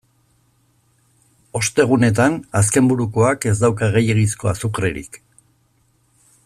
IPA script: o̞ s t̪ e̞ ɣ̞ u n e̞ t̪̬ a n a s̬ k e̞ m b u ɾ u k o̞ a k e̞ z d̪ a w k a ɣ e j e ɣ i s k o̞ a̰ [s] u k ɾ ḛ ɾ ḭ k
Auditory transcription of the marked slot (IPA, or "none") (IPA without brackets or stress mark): s